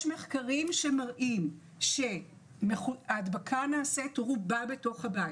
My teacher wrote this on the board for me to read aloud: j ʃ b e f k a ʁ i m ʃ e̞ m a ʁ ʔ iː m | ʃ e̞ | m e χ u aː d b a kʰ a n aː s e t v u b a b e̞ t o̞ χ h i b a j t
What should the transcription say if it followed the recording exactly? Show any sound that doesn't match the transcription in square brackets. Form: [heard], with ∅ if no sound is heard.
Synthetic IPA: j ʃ [m] e [χ] k a ʁ i m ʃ e̞ m a ʁ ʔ [i] m | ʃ e̞ | m e χ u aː d b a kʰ a n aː s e t [ʁ] u b a b e̞ t o̞ χ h [a] b a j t